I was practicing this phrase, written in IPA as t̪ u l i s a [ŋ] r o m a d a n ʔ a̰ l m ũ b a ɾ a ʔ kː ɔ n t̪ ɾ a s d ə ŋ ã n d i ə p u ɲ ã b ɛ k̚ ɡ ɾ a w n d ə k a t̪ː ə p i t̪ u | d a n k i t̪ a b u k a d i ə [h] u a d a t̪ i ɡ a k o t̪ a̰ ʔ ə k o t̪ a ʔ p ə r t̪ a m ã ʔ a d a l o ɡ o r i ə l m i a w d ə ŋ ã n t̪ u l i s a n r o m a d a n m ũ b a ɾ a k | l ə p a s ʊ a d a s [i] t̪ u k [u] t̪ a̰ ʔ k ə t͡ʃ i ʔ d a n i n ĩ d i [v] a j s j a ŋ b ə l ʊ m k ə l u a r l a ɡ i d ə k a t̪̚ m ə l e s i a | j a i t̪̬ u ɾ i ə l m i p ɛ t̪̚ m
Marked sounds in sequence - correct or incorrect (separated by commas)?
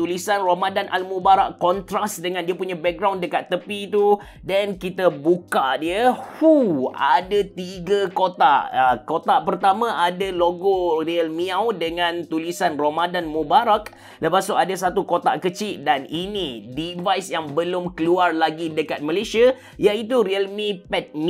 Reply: incorrect, correct, incorrect, incorrect, correct